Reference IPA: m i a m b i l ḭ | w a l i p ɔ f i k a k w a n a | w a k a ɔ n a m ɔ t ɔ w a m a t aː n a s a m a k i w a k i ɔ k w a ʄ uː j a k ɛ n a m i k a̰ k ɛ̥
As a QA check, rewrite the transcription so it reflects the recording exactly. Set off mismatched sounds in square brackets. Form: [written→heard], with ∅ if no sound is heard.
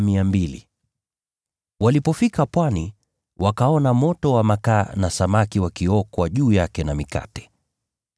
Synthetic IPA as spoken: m i a m b i l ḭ | w a l i p ɔ f i k a [k→p] w a n [a→i] | w a k a ɔ n a m ɔ t ɔ w a m a [t→k] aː n a s a m a k i w a k i ɔ k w a ʄ uː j a k ɛ n a m i k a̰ [k→t] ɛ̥

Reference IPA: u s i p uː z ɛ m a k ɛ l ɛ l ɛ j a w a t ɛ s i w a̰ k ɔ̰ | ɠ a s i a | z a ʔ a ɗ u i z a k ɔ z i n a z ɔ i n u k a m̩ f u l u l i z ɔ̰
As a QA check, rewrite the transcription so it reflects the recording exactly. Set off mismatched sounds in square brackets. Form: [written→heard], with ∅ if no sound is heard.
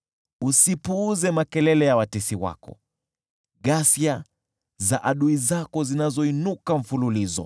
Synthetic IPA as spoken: u s i p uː z ɛ m a k ɛ l ɛ l ɛ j a w a t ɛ s i w a̰ k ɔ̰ | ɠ a s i a | z a ʔ a ɗ u i z a k ɔ z i n a z ɔ i n u k a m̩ f u l u l i z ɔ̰

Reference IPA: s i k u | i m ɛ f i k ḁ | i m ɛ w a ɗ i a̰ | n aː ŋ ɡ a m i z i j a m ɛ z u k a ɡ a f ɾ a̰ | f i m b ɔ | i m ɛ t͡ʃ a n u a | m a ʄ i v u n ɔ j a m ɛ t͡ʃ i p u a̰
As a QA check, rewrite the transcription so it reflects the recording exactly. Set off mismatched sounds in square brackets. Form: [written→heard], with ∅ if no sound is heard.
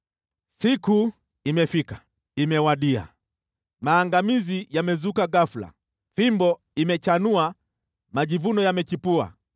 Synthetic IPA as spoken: s i k u | i m ɛ f i k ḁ | i m ɛ w a ɗ i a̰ | [n→m] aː ŋ ɡ a m i z i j a m ɛ z u k a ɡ a f [ɾ→l] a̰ | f i m b ɔ | i m ɛ t͡ʃ a n u a | m a ʄ i v u n ɔ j a m ɛ t͡ʃ i p u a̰

